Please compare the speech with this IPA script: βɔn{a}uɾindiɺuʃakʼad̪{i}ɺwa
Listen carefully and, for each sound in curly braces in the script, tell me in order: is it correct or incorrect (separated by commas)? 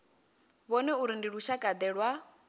incorrect, incorrect